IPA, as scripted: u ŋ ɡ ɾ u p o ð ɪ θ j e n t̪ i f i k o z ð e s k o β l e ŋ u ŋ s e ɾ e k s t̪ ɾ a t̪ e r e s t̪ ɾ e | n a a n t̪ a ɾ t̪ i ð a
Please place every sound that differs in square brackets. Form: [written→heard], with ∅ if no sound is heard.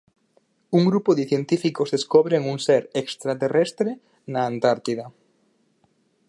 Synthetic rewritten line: u ŋ ɡ ɾ u p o ð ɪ θ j e n t̪ i f i k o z ð e s k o β [l→ɾ] e ŋ u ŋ s e ɾ e k s t̪ ɾ a t̪ e r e s t̪ ɾ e | n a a n t̪ a ɾ t̪ i ð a